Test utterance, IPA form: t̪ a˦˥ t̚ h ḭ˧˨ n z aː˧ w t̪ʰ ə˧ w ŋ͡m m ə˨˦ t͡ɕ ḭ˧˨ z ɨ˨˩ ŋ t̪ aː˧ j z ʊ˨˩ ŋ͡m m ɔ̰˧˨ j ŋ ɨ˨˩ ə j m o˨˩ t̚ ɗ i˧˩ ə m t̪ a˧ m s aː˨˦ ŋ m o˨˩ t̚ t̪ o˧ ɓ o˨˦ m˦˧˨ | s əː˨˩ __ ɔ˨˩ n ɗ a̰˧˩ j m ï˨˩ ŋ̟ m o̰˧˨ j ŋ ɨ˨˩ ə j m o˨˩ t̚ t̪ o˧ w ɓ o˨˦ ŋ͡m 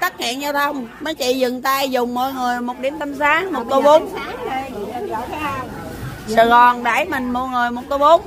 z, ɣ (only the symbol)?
ɣ